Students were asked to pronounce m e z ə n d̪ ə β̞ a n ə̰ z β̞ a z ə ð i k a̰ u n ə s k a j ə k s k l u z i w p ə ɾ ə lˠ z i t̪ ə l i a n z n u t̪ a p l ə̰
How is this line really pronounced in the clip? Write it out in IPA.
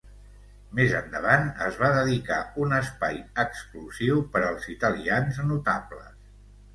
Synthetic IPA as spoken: m e z ə n d̪ ə β̞ a n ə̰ z β̞ a ð ə ð i k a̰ u n ə s p a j ə k s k l u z i w p ə ɾ ə lˠ z i t̪ ə l i a n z n u t̪ a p l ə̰